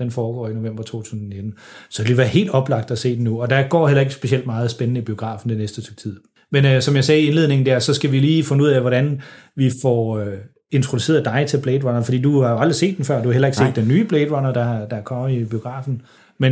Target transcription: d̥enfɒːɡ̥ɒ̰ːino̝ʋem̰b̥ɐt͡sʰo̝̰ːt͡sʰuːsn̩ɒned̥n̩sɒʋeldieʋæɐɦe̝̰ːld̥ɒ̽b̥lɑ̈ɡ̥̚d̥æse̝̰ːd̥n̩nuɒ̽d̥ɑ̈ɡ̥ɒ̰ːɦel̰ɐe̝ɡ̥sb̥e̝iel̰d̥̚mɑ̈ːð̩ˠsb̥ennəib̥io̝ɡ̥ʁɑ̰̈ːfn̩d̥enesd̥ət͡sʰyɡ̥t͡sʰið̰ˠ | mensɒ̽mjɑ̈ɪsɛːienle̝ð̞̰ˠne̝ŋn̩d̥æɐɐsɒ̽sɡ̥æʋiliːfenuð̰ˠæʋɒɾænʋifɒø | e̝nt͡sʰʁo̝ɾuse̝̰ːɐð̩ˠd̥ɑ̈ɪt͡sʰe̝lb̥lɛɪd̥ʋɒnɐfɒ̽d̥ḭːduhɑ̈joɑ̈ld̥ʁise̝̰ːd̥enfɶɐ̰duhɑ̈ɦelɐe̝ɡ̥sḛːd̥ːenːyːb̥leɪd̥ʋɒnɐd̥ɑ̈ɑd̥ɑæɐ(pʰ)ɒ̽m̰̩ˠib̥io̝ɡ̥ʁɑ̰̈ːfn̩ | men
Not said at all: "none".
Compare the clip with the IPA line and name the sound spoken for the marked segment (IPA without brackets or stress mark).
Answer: kʰ